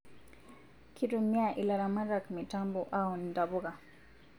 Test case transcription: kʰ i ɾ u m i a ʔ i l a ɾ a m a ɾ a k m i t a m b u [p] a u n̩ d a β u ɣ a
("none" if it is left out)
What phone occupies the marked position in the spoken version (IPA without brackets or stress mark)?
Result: ʔ